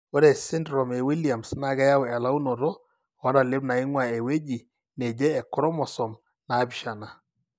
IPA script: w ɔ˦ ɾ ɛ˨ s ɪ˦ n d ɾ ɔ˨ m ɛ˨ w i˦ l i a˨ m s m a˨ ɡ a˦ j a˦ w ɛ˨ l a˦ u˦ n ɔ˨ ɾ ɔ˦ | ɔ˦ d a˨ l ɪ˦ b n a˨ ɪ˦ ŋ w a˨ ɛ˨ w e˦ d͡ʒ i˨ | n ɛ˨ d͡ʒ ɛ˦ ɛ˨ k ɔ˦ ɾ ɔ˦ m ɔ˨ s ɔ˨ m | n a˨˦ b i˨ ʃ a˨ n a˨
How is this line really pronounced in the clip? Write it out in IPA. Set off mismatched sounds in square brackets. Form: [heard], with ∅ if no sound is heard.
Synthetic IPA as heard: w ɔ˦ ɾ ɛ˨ s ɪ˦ n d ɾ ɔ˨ m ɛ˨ w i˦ l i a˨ m s [n] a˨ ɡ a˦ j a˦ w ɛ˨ l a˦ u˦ n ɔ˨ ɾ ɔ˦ | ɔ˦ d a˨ l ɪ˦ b n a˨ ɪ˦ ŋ w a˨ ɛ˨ w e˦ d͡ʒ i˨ | n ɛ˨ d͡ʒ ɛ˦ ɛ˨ k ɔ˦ ɾ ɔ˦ m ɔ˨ s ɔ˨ m | n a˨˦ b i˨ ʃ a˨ n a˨